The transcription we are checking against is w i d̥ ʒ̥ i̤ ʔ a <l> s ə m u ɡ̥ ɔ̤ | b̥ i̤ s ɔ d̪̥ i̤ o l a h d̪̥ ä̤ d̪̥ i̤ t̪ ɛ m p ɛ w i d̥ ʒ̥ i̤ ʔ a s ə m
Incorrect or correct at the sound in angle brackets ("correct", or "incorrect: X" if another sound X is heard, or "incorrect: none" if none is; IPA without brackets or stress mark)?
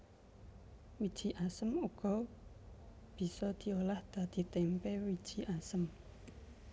incorrect: none